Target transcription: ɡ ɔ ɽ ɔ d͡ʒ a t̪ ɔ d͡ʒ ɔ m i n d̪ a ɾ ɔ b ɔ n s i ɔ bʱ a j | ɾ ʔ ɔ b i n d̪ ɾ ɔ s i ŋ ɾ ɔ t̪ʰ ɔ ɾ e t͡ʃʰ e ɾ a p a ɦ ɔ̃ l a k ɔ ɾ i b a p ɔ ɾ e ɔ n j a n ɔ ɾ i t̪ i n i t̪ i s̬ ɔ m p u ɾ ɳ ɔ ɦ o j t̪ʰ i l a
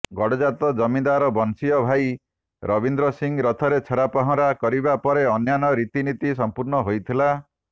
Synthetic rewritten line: ɡ ɔ ɽ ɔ d͡ʒ a t̪ ɔ d͡ʒ ɔ m i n d̪ a ɾ ɔ b ɔ n s i ɔ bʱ a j | ɾ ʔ ɔ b i n d̪ ɾ ɔ s i ŋ ɾ ɔ t̪ʰ ɔ ɾ e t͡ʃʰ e ɾ a p a ɦ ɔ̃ ɾ a k ɔ ɾ i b a p ɔ ɾ e ɔ n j a n ɔ ɾ i t̪ i n i t̪ i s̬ ɔ m p u ɾ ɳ ɔ ɦ o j t̪ʰ i l a